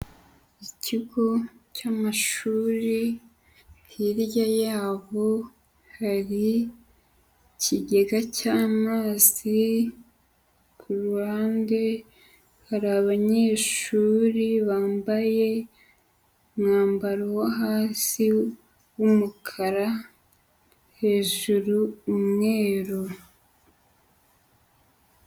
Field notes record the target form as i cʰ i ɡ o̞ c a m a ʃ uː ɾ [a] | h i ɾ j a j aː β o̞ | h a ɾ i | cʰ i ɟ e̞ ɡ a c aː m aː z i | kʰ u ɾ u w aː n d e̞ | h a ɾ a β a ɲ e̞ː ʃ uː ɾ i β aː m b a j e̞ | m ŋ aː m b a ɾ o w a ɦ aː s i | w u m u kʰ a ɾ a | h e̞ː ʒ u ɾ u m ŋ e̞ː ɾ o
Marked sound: incorrect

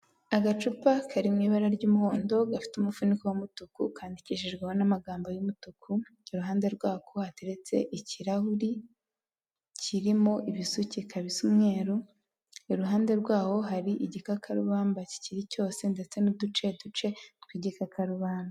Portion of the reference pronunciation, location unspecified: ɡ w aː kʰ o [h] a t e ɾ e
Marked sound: correct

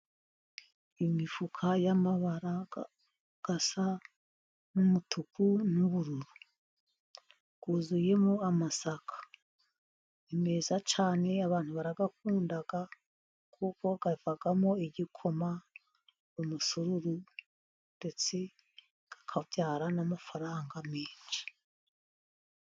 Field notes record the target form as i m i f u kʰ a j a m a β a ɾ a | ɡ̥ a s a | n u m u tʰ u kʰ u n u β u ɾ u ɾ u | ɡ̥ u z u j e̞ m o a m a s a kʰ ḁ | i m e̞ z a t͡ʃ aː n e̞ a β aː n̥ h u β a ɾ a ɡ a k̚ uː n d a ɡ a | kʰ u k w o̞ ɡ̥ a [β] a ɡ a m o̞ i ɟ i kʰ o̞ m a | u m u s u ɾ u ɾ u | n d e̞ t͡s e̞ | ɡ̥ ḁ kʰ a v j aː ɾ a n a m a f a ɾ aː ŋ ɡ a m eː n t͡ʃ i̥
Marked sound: incorrect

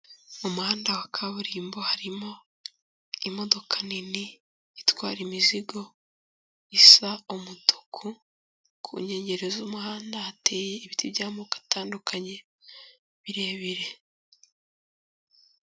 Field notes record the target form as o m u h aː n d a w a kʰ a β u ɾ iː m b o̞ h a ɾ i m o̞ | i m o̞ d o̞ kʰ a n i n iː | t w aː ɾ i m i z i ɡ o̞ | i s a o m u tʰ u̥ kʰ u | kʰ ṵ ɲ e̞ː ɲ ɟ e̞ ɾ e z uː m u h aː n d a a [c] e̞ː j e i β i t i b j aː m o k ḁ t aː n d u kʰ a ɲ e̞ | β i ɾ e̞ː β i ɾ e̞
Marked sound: incorrect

